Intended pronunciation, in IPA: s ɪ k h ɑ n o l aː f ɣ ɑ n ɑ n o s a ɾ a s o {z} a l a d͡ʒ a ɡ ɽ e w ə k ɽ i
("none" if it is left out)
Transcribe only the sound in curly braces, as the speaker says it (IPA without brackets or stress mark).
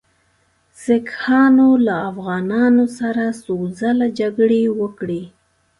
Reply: z